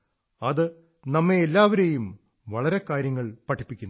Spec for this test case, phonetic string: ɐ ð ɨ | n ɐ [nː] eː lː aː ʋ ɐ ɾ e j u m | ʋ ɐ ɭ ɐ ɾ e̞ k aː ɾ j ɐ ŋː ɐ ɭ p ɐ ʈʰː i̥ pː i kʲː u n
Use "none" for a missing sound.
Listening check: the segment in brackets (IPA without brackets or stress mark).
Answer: mː